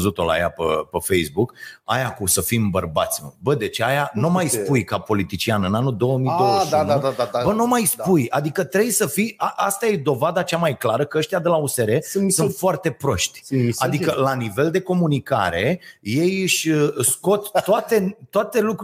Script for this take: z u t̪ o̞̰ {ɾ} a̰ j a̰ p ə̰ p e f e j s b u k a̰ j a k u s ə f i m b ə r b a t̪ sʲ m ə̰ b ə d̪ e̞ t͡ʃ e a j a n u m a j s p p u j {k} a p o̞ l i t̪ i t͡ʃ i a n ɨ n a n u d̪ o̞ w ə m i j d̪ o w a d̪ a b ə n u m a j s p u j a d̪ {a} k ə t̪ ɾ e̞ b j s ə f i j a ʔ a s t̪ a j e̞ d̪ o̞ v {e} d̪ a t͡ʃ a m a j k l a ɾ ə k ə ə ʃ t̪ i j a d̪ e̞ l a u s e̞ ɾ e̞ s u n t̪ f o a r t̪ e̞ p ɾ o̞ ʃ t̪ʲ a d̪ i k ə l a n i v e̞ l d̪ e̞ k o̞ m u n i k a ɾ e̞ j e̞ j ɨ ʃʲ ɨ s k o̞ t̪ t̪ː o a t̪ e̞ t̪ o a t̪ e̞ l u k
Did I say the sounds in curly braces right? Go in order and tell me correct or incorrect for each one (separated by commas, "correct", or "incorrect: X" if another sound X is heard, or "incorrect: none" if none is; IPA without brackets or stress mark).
incorrect: l, correct, incorrect: i, incorrect: a